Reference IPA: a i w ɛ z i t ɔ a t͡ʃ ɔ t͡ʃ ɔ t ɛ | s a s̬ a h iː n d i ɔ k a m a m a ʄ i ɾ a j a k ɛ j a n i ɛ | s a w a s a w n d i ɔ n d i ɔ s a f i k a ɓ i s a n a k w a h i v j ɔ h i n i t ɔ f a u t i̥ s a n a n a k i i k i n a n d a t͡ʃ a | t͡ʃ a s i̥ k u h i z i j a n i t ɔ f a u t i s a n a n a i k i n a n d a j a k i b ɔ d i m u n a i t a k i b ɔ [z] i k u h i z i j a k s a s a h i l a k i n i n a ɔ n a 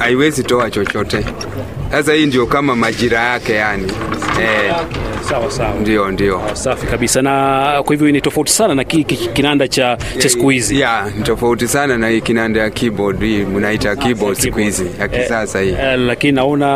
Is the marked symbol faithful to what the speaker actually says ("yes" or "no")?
no